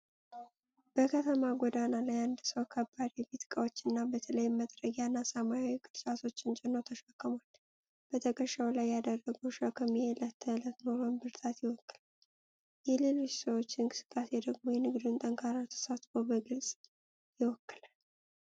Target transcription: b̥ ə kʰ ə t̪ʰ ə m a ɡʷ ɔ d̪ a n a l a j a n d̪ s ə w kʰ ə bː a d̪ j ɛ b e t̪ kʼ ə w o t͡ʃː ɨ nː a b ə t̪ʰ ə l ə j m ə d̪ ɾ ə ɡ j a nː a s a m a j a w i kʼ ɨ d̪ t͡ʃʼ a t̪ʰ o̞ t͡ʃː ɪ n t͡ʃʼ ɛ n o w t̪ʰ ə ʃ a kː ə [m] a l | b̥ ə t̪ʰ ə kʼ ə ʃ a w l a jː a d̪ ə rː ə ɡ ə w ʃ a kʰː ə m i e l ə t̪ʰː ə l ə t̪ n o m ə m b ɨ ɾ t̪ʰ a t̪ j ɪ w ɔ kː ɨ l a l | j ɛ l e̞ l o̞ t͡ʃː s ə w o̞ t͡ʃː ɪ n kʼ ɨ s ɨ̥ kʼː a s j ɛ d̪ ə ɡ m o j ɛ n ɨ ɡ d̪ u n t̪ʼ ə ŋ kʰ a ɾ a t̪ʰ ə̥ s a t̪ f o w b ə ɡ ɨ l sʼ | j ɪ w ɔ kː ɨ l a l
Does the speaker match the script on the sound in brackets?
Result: yes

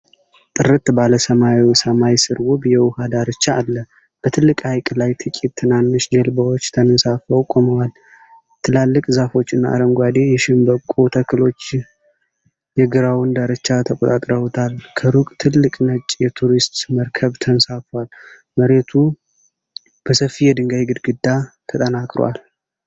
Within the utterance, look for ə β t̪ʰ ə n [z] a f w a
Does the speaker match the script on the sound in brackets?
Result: no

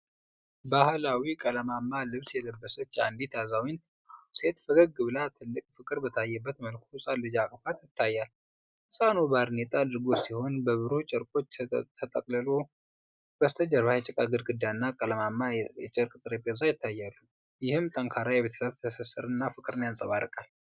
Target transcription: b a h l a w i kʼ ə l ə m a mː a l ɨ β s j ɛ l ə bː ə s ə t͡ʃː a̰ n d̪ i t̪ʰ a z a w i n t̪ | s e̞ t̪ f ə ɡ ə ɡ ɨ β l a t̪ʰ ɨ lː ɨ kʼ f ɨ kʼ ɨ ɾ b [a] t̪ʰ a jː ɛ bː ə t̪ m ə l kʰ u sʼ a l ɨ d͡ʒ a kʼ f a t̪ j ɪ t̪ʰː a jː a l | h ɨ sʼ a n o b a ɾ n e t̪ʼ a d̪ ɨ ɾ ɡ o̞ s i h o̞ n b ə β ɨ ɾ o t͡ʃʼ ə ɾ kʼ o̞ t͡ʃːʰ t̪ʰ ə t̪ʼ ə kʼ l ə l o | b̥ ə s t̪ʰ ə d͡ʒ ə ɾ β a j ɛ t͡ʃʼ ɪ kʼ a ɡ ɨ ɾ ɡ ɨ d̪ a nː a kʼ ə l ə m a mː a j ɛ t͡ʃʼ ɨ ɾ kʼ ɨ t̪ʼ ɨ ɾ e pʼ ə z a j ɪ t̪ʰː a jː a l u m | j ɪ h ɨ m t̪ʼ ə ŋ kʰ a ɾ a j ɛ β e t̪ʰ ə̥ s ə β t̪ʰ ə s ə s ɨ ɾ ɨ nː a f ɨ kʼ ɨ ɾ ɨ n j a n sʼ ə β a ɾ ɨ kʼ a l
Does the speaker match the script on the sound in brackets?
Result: no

